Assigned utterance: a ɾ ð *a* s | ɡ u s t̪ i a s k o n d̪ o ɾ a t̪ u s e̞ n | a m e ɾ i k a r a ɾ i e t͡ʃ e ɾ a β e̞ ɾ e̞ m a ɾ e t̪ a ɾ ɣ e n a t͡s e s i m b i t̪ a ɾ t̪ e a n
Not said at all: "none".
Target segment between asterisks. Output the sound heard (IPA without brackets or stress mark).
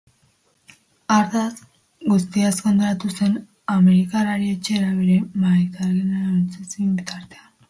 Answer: a